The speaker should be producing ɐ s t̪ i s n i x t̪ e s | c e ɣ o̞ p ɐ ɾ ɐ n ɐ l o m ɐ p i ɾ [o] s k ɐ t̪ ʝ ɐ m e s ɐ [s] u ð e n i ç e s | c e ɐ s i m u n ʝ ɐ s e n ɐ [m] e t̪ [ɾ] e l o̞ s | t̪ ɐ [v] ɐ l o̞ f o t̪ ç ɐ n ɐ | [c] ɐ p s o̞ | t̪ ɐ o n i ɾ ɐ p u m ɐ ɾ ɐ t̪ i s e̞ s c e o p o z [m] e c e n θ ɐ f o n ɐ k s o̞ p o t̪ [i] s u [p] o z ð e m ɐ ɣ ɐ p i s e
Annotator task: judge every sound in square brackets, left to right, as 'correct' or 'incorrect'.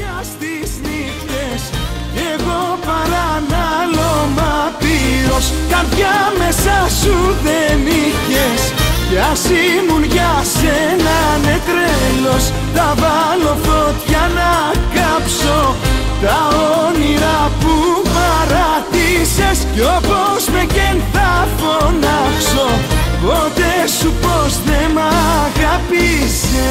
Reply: correct, correct, incorrect: n, correct, correct, incorrect: k, correct, incorrect: e, correct

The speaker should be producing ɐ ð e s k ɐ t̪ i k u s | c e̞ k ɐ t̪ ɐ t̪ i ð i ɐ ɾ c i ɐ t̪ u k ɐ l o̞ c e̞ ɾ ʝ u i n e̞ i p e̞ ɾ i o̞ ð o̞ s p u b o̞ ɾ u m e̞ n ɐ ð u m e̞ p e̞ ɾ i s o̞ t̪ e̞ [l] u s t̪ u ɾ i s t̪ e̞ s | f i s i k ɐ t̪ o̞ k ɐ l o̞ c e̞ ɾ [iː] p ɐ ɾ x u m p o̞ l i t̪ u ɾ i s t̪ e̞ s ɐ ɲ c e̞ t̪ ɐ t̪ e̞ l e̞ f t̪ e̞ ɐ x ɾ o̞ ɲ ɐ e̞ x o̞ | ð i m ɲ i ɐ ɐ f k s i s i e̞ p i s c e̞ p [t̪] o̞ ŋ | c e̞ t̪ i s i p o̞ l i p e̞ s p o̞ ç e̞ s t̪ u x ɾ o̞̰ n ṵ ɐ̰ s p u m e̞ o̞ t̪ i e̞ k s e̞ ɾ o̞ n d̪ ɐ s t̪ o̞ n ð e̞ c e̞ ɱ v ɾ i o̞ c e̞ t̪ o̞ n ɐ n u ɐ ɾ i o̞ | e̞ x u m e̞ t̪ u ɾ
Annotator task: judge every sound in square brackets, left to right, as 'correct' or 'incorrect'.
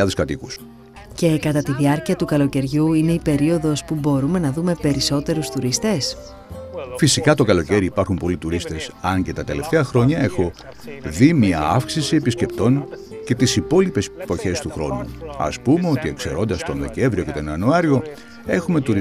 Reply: incorrect: ɾ, correct, correct

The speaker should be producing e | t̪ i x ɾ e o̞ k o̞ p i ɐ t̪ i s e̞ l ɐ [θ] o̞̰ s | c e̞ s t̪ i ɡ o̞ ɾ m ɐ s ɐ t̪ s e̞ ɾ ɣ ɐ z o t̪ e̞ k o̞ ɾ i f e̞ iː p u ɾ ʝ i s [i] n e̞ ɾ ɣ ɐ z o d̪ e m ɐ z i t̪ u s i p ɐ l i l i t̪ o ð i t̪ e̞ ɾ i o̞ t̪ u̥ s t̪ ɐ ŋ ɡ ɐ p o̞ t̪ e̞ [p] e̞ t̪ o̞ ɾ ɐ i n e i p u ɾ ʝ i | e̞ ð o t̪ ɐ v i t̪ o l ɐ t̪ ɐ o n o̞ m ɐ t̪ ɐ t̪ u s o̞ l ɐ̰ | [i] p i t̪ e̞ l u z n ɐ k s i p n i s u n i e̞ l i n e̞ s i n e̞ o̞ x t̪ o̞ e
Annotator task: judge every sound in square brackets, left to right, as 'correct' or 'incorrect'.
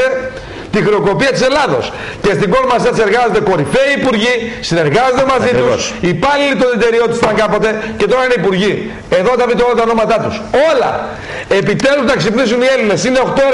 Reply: incorrect: ð, correct, incorrect: c, incorrect: e

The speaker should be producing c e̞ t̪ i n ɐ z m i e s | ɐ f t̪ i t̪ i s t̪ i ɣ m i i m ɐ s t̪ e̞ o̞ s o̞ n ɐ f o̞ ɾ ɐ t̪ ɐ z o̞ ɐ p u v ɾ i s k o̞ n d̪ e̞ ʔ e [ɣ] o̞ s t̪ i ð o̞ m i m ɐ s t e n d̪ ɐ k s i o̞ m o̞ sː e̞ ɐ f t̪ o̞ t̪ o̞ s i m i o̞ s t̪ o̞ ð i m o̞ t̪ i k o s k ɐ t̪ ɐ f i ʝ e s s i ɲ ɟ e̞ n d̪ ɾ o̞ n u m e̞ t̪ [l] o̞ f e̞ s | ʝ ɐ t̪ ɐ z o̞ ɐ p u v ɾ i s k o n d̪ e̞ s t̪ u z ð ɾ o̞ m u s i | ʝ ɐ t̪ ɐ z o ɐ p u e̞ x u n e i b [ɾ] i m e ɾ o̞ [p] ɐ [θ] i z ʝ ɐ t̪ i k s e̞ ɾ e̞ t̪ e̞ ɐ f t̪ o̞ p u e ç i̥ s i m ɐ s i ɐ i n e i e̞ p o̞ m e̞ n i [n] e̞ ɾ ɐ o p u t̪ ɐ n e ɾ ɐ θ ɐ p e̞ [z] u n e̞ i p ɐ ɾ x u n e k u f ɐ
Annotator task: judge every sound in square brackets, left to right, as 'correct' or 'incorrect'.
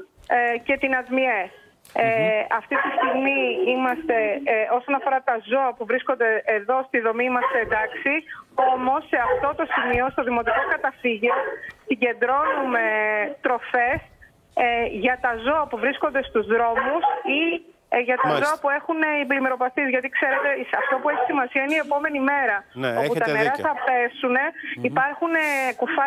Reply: incorrect: ð, incorrect: ɾ, incorrect: l, correct, correct, incorrect: m, incorrect: s

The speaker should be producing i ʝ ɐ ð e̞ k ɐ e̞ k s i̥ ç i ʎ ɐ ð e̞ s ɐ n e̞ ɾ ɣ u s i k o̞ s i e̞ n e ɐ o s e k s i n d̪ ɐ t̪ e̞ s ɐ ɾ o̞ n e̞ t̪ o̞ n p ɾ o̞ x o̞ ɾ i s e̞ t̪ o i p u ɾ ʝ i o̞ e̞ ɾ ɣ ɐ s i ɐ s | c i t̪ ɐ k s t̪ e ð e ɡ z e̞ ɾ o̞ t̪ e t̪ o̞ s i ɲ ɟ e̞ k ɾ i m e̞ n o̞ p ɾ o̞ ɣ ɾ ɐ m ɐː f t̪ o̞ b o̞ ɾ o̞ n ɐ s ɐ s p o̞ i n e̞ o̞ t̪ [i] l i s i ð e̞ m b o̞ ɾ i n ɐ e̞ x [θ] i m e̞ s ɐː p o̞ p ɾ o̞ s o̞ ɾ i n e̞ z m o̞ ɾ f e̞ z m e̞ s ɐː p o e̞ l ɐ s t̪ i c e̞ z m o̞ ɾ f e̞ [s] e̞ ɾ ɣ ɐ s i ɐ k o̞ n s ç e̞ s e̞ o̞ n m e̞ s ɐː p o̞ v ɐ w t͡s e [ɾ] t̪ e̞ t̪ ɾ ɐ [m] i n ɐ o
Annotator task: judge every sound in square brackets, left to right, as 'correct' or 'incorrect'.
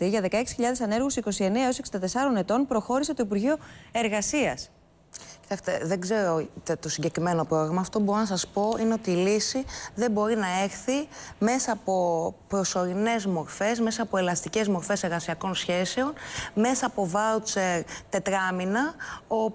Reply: incorrect: iː, correct, correct, correct, correct

